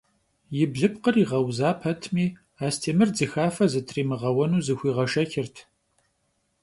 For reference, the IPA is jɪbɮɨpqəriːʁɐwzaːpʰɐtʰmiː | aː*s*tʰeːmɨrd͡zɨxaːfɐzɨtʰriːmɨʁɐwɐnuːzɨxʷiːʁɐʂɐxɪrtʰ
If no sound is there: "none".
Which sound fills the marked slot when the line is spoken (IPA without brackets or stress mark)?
s